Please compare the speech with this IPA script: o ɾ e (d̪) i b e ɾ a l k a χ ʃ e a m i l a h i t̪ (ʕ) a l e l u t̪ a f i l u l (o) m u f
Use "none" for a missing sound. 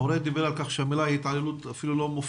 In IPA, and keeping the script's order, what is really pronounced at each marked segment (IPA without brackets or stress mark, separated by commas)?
d̪, ʕ, o